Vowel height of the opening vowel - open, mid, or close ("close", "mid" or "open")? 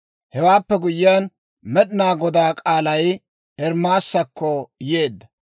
mid